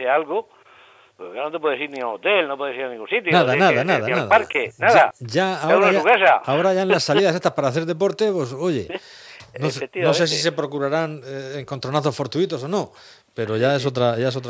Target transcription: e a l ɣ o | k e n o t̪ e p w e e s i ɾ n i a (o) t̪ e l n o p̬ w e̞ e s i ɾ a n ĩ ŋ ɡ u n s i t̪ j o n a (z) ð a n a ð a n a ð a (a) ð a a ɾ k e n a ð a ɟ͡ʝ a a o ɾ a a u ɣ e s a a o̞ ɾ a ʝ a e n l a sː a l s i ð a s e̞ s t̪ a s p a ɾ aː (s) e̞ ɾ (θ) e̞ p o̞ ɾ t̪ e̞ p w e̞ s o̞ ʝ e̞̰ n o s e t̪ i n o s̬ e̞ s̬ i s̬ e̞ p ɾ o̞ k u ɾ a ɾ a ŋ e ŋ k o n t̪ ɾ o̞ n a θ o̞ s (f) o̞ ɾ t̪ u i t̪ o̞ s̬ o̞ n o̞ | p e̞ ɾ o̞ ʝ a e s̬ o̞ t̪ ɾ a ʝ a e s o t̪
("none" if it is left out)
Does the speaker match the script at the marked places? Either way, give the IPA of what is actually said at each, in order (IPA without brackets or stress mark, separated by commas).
o, ð, a, θ, ð, f